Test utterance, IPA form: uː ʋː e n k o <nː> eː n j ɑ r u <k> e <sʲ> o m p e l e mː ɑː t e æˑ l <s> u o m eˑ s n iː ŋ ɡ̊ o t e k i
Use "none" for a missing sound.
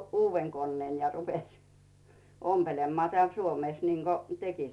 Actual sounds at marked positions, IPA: nː, p, sʲ, s

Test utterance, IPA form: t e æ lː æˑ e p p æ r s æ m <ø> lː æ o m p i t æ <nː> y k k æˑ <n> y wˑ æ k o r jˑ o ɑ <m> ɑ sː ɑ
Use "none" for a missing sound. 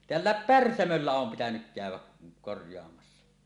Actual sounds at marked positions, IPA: ø, n, none, m

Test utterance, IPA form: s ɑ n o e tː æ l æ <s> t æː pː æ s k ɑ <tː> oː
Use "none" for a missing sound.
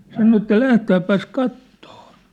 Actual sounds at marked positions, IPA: h, tː

